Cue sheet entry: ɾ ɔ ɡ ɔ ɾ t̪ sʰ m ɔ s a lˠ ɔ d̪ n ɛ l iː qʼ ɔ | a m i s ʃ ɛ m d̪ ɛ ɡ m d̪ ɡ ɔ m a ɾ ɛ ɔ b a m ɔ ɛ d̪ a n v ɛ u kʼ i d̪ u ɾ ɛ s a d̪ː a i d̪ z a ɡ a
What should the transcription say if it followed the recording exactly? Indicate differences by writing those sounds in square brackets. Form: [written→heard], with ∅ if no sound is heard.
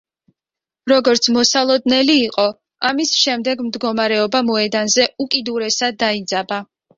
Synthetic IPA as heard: ɾ ɔ ɡ ɔ ɾ t̪ sʰ m ɔ s a lˠ ɔ d̪ n ɛ l iː qʼ ɔ | a m i s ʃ ɛ m d̪ ɛ ɡ m d̪ ɡ ɔ m a ɾ ɛ ɔ b a m ɔ ɛ d̪ a n [v→z] ɛ u kʼ i d̪ u ɾ ɛ s a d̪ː a i d̪ z a [ɡ→b] a

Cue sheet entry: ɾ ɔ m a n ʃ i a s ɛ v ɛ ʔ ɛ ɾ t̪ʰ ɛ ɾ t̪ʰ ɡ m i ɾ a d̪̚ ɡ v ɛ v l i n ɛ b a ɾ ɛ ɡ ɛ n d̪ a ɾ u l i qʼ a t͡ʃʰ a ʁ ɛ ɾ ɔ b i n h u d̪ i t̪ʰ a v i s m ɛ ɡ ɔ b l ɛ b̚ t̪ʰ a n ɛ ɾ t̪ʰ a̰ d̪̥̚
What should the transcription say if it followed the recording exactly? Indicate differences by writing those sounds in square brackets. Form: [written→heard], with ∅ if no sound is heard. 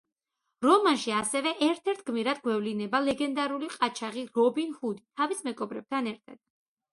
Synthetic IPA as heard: ɾ ɔ m a n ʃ i a s ɛ v ɛ ʔ ɛ ɾ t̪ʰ ɛ ɾ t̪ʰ ɡ m i ɾ a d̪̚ ɡ [v→w] ɛ v l i n ɛ b a [ɾ→l] ɛ ɡ ɛ n d̪ a ɾ u l i qʼ a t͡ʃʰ a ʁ [ɛ→i] ɾ ɔ b i n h u d̪ i t̪ʰ a v i s m ɛ ɡ ɔ b [l→ɾ] ɛ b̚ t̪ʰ a n ɛ ɾ t̪ʰ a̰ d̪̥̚

